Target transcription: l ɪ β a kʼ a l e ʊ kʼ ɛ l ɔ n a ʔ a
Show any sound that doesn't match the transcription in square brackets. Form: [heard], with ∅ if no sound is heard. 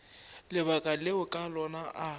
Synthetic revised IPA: l ɪ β a kʼ a l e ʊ kʼ [a] l ɔ n a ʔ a